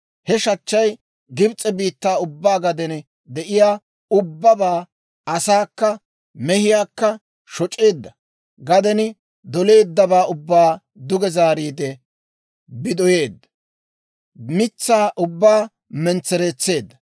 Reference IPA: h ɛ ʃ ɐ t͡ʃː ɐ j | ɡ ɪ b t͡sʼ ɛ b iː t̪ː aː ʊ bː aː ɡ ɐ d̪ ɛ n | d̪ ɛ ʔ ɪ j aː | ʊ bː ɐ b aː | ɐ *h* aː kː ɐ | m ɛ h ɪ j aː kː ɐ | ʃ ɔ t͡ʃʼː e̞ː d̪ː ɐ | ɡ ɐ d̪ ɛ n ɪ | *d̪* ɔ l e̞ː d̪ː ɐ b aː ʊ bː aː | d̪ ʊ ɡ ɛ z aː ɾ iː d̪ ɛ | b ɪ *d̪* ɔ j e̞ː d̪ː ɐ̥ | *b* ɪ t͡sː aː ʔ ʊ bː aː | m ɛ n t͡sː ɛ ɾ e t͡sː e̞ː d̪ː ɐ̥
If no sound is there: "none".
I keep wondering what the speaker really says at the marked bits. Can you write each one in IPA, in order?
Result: s, d̪, d̪, m

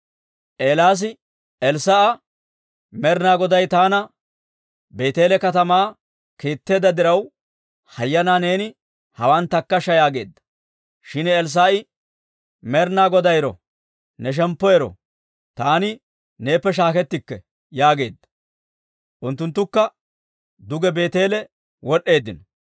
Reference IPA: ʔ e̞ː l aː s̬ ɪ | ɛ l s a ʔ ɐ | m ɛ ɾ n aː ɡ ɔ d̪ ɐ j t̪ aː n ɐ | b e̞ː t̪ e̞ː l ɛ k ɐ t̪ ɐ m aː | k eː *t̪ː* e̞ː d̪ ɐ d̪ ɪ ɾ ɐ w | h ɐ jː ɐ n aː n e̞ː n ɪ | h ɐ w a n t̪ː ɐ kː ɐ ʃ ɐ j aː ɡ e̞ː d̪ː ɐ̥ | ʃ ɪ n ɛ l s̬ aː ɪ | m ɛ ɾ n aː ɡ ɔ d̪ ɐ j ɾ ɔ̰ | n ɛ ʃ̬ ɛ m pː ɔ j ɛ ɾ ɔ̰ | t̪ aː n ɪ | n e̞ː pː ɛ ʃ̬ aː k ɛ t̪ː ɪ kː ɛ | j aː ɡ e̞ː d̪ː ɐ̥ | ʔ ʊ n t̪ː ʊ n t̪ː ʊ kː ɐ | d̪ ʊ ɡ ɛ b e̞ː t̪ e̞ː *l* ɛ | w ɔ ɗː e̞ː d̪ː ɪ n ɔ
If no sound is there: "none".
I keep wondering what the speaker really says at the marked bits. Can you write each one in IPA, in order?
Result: t̪ː, l

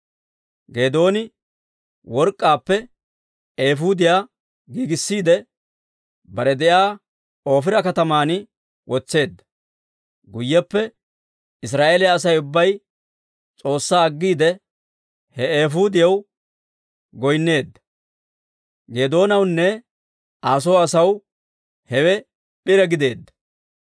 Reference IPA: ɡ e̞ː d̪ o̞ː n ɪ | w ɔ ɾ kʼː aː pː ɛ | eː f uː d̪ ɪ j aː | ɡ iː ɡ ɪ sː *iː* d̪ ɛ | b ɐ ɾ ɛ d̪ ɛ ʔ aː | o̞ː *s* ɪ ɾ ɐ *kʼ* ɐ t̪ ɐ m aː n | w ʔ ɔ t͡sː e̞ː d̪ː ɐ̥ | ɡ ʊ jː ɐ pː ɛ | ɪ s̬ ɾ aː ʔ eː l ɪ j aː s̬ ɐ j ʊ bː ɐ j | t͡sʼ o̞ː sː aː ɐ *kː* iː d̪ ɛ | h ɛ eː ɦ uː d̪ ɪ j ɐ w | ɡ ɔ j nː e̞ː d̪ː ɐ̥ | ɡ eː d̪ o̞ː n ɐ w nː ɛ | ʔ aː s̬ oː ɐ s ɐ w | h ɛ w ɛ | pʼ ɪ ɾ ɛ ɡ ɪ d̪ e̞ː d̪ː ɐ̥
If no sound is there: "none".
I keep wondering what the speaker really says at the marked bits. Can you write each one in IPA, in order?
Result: iː, f, k, ɡː

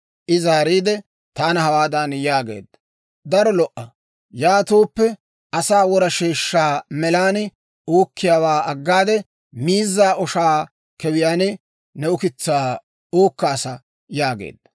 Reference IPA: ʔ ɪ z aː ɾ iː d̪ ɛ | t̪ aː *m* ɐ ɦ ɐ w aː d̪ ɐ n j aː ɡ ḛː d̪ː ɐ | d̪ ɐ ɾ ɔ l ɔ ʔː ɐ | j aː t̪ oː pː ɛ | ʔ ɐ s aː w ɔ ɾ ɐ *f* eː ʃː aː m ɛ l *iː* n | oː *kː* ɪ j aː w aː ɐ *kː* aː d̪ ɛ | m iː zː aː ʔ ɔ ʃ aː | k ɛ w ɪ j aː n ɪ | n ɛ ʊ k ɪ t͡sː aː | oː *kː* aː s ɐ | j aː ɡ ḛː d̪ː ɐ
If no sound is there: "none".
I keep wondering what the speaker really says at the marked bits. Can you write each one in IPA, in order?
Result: n, ʃ, aː, kː, ɡː, kː

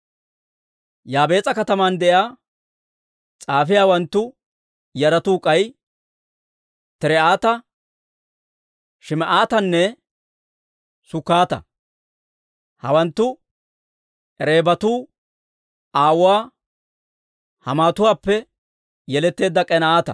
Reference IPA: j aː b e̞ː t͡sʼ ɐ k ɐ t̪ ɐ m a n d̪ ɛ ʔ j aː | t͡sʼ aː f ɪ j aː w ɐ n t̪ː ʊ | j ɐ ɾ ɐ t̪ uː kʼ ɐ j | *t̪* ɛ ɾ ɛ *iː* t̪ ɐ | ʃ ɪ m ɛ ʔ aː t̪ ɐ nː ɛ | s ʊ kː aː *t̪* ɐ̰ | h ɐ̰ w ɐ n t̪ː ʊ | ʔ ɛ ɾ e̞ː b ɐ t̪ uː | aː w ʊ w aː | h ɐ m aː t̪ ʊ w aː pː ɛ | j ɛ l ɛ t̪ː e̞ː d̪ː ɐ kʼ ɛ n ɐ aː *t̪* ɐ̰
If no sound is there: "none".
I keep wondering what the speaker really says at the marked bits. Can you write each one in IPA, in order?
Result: t̪, aː, t̪, t̪

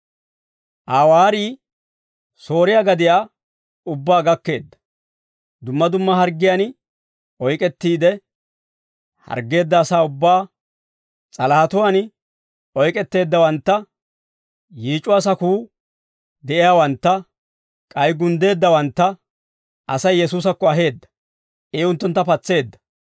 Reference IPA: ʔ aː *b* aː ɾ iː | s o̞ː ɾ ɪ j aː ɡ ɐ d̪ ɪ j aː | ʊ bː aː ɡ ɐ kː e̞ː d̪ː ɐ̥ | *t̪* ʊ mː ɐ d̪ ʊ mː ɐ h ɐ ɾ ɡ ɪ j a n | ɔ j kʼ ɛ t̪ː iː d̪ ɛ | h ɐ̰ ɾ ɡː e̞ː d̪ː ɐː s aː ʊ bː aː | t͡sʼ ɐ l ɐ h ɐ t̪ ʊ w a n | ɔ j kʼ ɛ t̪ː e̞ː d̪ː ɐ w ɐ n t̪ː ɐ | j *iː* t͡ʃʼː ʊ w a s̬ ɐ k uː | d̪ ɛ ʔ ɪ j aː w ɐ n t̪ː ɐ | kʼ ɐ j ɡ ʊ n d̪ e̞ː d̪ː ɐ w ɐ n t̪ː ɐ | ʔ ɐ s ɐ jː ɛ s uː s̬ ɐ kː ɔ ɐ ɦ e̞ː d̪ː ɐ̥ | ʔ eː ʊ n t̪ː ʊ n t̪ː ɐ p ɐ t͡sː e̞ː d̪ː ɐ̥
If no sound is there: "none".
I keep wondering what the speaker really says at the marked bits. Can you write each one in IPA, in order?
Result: w, d̪, iː

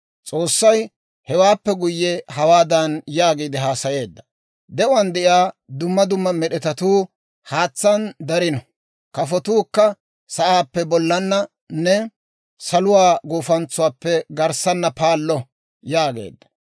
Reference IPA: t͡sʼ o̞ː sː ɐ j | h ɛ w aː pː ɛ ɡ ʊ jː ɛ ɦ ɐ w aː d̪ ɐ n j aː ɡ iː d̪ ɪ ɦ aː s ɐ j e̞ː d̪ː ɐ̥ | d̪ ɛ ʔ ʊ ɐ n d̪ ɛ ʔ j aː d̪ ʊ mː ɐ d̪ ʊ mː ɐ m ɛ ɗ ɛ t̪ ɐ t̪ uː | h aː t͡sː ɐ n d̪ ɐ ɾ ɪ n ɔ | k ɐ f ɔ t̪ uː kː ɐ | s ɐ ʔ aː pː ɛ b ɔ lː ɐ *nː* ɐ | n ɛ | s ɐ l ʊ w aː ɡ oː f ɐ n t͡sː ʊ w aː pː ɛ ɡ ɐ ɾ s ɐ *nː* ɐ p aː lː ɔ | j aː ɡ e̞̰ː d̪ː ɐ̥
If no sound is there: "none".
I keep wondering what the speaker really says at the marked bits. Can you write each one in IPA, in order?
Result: nː, nː

